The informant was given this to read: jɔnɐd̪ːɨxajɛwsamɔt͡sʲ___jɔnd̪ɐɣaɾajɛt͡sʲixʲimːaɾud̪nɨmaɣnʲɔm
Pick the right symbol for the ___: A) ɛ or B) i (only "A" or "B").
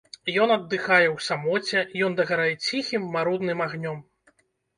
A